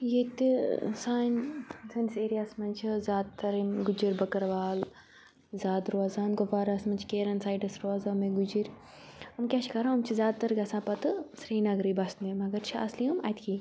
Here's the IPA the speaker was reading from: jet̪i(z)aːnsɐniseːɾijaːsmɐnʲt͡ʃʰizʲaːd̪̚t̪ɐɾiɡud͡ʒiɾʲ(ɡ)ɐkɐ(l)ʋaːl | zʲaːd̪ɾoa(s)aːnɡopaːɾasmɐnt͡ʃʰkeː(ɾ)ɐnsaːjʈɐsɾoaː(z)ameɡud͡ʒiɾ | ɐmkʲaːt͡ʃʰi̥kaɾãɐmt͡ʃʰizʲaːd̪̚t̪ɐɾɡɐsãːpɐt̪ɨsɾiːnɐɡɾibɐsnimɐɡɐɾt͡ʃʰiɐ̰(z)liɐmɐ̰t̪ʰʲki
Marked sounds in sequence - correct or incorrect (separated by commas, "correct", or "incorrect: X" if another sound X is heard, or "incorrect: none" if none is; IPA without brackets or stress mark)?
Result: incorrect: s, incorrect: b, incorrect: ɾ, incorrect: z, correct, correct, incorrect: s